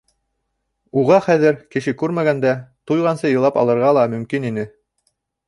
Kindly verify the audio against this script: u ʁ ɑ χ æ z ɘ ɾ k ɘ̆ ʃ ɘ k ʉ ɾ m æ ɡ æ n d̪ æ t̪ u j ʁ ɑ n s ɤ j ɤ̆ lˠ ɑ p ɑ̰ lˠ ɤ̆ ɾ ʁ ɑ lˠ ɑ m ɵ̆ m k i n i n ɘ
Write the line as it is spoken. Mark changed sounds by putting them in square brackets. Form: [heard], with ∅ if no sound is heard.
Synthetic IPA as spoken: u ʁ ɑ χ æ [ð] ɘ ɾ k ɘ̆ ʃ ɘ k ʉ ɾ m æ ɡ æ n d̪ æ t̪ u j ʁ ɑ n s ɤ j ɤ̆ lˠ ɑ p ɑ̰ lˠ ɤ̆ ɾ ʁ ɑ lˠ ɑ m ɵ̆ m k i n i n ɘ